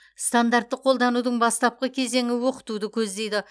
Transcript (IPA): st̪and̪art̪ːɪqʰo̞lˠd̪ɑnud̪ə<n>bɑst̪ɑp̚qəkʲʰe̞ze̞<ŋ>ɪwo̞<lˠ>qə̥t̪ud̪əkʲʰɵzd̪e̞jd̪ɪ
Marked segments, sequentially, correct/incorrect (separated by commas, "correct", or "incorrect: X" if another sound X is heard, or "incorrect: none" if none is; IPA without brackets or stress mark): incorrect: ɴ, correct, incorrect: none